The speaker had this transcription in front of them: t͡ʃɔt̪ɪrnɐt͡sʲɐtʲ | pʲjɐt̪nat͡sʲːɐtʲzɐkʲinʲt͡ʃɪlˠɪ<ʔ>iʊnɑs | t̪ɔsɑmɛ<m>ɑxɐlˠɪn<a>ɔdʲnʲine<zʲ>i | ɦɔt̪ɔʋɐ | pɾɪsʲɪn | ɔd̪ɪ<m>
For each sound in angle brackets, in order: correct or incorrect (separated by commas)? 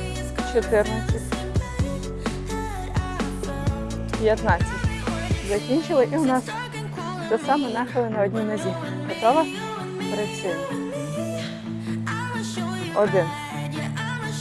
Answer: correct, incorrect, incorrect, correct, incorrect